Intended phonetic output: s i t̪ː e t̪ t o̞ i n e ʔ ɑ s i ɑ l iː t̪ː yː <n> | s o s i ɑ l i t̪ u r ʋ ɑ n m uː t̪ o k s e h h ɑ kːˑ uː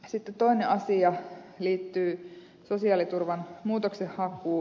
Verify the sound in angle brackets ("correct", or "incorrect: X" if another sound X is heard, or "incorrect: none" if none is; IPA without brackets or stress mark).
incorrect: none